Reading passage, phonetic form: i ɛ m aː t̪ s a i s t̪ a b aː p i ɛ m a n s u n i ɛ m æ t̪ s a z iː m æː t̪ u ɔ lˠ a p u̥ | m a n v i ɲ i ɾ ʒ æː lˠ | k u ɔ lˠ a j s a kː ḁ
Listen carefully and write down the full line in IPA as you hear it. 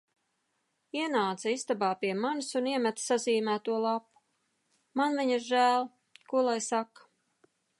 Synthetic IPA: i ɛ n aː t̪ s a i s t̪ a b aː p i ɛ m a n s u n i ɛ m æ t̪ s a z iː m æː t̪ u ɔ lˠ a p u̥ | m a n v i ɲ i ɾ ʒ æː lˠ | k u ɔ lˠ a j s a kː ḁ